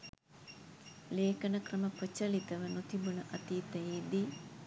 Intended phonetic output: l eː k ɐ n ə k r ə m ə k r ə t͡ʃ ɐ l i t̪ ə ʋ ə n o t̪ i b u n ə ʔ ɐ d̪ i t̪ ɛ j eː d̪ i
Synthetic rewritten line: l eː k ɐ n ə k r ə m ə p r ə t͡ʃ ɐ l i t̪ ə ʋ ə n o t̪ i b u n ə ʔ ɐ t̪ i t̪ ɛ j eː d̪ i